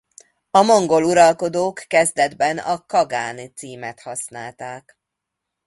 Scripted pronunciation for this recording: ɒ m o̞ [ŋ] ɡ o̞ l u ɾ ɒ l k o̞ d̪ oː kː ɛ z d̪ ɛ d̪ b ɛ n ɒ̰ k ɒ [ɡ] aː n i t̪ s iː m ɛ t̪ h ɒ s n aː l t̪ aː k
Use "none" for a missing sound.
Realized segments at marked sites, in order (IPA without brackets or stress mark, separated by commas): ŋ, ɡ